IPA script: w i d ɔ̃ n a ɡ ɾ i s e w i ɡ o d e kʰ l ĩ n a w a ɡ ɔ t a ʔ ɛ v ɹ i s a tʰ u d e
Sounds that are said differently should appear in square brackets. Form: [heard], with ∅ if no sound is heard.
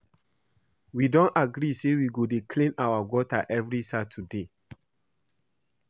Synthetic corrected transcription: w i d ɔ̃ n a ɡ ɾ i s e w i ɡ o d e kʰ l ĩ n a w a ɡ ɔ t a ʔ ɛ v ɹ i s a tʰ u d e